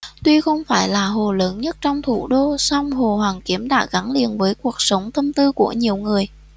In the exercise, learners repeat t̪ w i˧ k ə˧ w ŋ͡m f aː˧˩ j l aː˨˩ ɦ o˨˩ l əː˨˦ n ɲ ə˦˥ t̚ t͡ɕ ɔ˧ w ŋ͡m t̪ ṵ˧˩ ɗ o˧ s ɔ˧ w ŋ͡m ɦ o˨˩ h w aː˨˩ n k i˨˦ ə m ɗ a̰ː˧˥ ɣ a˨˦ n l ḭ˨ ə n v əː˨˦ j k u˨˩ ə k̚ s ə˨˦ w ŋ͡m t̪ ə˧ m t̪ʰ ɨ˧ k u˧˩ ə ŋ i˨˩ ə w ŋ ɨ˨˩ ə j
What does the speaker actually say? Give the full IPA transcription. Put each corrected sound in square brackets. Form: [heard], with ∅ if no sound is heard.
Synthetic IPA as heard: t̪ w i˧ [x] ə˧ w ŋ͡m f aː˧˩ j l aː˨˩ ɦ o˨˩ l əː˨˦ n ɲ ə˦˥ t̚ t͡ɕ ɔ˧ w ŋ͡m [t̪ʰ] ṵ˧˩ ɗ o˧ s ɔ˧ w ŋ͡m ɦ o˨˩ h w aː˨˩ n k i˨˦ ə m ɗ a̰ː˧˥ ɣ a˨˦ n l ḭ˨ ə n v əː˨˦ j k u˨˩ ə k̚ s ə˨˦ w ŋ͡m t̪ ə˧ m [t̪] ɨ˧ k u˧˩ ə [ɲ] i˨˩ ə w ŋ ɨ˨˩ ə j